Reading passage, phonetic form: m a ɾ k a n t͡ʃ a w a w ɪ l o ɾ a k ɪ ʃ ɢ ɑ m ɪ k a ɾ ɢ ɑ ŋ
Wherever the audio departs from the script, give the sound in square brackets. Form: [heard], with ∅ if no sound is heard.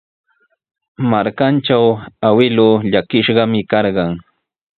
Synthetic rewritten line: m a ɾ k a n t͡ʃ a w a w ɪ l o [ʎ] a k ɪ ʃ ɢ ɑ m ɪ k [ɑ] ɾ ɢ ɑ ŋ